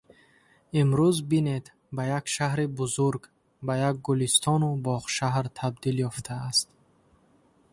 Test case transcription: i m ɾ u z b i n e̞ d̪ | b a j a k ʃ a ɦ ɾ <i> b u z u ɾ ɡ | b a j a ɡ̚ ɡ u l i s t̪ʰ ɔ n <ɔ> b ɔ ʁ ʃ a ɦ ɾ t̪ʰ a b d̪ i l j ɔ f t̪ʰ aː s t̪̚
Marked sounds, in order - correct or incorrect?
correct, incorrect

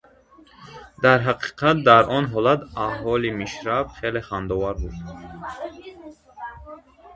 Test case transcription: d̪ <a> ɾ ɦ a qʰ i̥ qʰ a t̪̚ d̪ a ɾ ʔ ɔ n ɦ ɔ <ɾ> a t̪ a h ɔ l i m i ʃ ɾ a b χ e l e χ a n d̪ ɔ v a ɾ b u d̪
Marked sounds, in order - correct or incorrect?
correct, incorrect

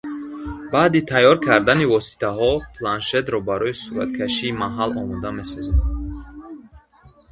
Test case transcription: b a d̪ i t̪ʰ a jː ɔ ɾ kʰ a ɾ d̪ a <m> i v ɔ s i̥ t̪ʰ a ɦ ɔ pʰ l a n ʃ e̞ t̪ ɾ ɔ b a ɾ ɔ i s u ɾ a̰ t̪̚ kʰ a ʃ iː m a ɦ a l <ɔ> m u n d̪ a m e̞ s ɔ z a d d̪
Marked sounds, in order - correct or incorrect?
incorrect, correct

